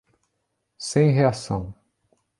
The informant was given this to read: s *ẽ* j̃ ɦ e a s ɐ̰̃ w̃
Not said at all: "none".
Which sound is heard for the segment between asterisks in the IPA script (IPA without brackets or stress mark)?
ẽ